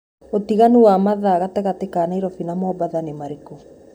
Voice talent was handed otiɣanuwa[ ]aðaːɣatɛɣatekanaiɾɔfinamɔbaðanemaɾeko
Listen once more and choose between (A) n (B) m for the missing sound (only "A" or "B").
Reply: B